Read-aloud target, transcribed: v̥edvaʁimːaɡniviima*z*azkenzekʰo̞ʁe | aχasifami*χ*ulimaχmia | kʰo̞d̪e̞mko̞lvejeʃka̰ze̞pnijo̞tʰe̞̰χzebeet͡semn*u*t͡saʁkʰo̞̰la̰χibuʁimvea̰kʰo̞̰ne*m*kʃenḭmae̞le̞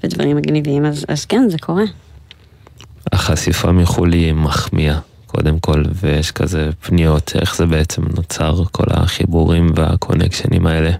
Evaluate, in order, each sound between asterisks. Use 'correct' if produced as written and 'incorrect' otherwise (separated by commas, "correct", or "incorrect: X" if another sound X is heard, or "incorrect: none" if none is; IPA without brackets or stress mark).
correct, correct, incorrect: o, incorrect: none